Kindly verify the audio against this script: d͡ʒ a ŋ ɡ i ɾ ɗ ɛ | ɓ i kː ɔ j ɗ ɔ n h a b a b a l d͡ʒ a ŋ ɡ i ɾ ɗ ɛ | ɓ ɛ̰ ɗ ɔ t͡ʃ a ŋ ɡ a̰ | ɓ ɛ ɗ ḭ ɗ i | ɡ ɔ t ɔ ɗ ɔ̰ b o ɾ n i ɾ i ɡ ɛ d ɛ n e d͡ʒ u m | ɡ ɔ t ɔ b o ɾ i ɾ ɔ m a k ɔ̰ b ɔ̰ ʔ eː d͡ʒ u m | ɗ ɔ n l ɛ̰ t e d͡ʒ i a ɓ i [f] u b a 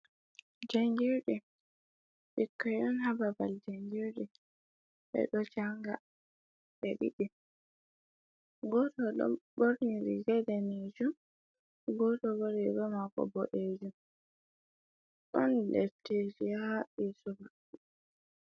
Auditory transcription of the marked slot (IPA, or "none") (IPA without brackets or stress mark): s